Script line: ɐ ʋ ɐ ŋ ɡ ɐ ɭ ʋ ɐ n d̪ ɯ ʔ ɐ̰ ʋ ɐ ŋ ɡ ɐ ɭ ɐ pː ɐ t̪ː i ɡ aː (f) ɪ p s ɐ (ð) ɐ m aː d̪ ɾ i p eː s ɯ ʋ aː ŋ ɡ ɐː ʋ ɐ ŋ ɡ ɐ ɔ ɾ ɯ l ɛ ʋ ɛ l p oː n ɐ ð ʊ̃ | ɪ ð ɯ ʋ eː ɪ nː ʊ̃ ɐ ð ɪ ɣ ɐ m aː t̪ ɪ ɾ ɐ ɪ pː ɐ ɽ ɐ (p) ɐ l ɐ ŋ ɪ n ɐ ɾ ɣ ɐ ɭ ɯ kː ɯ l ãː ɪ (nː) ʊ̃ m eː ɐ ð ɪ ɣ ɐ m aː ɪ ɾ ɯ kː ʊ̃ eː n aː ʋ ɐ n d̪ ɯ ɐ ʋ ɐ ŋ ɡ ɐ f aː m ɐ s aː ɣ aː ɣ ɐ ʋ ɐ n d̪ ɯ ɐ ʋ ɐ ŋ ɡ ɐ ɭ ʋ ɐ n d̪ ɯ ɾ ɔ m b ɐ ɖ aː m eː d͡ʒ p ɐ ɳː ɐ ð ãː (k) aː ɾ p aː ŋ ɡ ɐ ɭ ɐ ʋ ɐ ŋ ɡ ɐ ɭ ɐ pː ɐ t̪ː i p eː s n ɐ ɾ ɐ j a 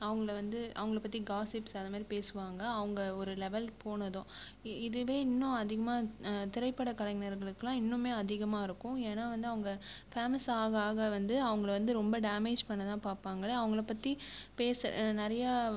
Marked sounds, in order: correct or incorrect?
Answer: incorrect, correct, incorrect, correct, incorrect

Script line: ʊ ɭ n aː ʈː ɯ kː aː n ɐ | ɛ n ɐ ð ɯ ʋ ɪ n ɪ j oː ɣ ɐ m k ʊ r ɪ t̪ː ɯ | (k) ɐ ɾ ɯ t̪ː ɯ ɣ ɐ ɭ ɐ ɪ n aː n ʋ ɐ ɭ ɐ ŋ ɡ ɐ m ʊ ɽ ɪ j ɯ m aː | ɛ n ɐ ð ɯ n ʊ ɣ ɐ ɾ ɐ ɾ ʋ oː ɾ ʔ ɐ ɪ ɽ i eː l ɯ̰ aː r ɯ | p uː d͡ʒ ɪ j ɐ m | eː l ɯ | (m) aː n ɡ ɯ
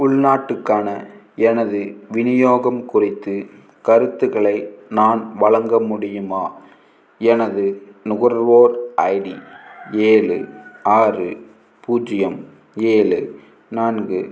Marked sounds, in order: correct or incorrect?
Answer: correct, incorrect

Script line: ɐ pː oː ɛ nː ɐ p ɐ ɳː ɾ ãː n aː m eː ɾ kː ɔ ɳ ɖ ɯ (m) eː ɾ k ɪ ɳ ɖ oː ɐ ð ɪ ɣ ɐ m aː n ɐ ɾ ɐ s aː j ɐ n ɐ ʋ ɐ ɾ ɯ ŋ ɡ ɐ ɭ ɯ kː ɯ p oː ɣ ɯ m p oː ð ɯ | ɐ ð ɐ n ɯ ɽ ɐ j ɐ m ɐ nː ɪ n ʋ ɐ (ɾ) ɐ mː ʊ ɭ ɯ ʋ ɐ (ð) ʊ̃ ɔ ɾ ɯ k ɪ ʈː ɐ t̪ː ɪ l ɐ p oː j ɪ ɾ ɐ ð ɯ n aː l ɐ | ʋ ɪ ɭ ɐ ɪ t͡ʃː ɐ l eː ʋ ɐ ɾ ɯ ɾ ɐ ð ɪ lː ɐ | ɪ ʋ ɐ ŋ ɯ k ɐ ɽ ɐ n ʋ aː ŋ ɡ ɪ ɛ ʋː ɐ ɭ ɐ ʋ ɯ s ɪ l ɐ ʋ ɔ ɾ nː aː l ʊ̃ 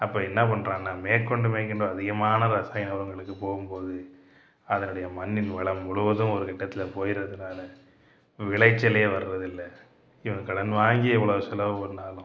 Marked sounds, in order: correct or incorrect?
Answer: correct, incorrect, correct

